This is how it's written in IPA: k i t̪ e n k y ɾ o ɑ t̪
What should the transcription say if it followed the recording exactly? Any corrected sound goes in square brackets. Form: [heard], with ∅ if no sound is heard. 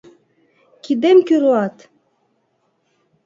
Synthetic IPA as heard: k i [d̪] e [m] k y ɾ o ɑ t̪